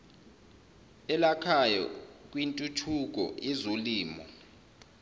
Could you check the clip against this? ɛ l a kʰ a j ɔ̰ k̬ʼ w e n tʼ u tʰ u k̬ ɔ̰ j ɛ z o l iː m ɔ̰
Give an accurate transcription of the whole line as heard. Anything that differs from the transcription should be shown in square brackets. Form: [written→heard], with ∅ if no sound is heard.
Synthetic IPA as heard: ɛ l a kʰ a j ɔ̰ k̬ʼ w [e→i] n tʼ u tʰ u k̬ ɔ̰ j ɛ z o l iː m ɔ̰